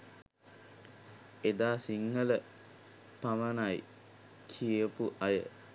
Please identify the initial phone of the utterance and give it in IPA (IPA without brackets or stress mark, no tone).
e